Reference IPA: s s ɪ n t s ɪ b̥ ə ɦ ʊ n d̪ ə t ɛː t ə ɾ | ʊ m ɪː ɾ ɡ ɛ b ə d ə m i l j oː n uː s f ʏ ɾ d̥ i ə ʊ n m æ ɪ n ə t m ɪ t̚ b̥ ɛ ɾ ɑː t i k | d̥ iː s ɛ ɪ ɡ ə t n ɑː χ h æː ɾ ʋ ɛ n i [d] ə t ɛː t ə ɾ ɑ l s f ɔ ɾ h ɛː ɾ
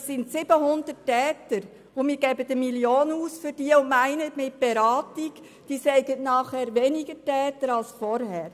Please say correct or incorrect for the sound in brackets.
incorrect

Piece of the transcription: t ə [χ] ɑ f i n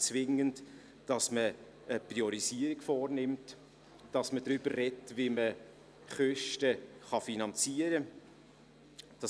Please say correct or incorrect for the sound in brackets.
correct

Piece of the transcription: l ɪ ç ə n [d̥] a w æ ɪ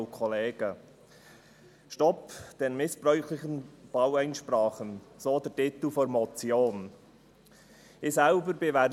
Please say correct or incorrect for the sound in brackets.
incorrect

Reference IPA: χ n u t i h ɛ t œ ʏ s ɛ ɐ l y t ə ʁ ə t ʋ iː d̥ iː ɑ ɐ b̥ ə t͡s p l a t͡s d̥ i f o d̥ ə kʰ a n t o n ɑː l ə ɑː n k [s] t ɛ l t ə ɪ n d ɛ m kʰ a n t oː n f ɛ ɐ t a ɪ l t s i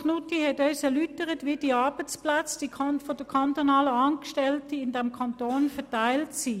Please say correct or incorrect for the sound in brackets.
incorrect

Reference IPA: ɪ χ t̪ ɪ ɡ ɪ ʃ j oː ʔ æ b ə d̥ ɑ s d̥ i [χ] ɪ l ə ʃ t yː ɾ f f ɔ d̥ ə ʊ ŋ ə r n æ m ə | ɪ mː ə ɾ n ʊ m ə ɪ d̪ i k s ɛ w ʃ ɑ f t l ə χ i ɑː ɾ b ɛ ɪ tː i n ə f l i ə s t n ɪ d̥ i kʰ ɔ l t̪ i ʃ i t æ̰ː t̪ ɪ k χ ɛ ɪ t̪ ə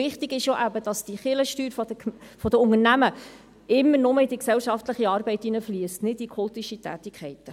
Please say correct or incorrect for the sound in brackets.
correct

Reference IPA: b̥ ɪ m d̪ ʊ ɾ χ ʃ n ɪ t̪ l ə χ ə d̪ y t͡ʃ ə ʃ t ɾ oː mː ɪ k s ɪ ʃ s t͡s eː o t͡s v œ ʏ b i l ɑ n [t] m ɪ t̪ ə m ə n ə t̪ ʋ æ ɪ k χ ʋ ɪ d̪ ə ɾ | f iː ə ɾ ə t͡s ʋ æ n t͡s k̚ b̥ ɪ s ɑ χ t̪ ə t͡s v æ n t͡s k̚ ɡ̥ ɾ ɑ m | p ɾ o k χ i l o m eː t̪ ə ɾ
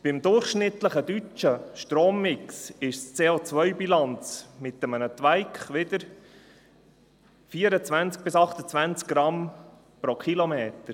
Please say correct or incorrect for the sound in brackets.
incorrect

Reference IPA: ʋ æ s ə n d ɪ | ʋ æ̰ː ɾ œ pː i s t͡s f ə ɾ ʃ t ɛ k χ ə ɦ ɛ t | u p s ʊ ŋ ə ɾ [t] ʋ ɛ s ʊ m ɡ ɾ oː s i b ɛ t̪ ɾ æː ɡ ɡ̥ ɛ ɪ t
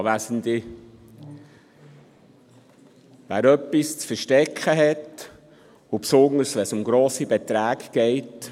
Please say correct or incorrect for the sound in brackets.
incorrect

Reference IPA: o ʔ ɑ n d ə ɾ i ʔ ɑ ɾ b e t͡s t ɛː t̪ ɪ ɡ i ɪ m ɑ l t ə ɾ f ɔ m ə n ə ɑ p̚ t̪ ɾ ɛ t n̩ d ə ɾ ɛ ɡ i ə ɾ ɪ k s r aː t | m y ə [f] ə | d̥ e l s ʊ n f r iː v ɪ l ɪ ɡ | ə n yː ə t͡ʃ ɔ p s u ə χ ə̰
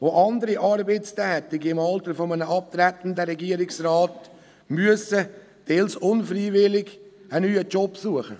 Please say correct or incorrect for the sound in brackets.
incorrect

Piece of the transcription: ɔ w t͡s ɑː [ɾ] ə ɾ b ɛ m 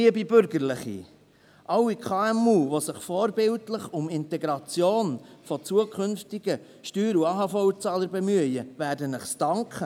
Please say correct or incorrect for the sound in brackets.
incorrect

